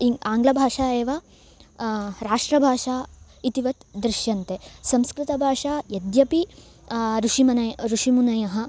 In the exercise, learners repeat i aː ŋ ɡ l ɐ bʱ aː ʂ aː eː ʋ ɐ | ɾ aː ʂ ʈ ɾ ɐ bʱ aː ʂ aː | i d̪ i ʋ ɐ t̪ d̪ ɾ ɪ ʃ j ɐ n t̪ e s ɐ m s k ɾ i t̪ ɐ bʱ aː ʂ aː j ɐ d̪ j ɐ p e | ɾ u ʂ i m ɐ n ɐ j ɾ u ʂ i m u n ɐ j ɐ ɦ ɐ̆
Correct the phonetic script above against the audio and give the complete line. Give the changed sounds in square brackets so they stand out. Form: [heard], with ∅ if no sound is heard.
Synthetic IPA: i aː ŋ ɡ l ɐ bʱ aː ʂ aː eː ʋ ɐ | ɾ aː ʂ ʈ ɾ ɐ bʱ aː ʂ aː | i [t̪] i ʋ ɐ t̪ d̪ ɾ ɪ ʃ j ɐ n t̪ e s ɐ m s k ɾ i t̪ ɐ bʱ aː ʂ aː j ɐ d̪ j ɐ p [i] | ɾ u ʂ i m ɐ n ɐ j ɾ u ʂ i m u n ɐ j ɐ ɦ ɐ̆

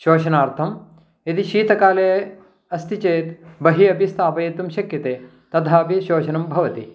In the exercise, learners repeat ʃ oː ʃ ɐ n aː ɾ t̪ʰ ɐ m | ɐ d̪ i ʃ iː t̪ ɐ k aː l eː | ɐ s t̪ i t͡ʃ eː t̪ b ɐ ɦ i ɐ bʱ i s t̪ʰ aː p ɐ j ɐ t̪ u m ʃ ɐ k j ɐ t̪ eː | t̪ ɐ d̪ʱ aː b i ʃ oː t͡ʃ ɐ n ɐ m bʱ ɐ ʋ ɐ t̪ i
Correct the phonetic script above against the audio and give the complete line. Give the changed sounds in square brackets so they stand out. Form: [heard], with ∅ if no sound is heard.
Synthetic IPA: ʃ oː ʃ ɐ n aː ɾ t̪ʰ ɐ m | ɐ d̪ i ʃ iː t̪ ɐ k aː l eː | ɐ s t̪ i t͡ʃ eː t̪ b ɐ ɦ i ɐ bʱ i s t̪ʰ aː p ɐ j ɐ t̪ u m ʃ ɐ k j ɐ t̪ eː | t̪ ɐ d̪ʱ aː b i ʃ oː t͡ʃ ɐ n ɐ m bʱ ɐ ʋ ɐ t̪ i

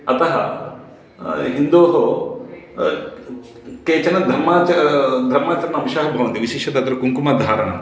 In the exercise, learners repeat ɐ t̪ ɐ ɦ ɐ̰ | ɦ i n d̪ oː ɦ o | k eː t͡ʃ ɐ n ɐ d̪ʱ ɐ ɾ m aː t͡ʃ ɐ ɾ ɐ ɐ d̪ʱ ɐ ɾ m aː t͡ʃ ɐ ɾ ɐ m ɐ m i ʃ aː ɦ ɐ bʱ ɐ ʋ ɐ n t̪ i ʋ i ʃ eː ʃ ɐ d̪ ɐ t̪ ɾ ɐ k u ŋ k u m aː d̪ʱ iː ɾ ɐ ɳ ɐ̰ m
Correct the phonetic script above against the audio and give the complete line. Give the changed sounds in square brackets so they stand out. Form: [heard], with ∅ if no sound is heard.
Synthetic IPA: ɐ t̪ ɐ ɦ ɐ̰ | ɦ i n d̪ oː ɦ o | k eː t͡ʃ ɐ n ɐ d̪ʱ ɐ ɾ m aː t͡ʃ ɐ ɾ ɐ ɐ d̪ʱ ɐ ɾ m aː t͡ʃ ɐ ɾ ɐ [n] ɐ m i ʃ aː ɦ ɐ bʱ ɐ ʋ ɐ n t̪ i ʋ i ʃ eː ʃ ɐ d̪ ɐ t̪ ɾ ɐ k u ŋ k u m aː d̪ʱ [aː] ɾ ɐ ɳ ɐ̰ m

